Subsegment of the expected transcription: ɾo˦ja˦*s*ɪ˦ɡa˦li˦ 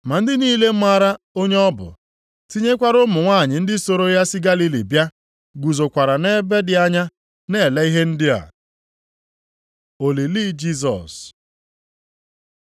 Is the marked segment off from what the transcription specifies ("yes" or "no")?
no